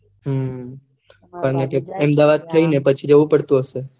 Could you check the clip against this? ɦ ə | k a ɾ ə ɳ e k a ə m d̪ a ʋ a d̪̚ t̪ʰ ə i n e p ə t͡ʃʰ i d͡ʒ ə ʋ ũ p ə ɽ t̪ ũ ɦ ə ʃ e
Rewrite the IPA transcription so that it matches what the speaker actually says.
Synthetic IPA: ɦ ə | k a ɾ ə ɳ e k e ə m d̪ a ʋ a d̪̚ t̪ʰ ə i n e p ə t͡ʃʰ i d͡ʒ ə ʋ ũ p ə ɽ t̪ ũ ɦ ə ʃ e